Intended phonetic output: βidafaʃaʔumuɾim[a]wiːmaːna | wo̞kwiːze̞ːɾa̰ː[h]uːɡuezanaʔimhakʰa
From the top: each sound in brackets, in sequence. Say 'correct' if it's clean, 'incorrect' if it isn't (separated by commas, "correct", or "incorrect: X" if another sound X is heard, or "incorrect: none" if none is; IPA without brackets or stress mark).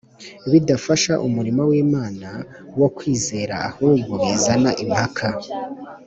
correct, correct